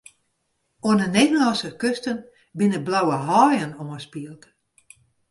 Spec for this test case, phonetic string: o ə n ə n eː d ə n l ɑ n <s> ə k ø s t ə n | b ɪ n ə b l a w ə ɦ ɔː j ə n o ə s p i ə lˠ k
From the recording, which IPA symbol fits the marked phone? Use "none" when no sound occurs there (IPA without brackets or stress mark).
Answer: s